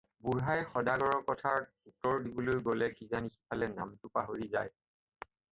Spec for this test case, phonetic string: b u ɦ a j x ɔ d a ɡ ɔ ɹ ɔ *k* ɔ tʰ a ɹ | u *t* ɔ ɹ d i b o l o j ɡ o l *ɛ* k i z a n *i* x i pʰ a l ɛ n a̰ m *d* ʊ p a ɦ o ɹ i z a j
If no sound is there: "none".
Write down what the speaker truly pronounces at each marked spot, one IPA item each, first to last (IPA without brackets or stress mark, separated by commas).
k, t, ɛ, i, t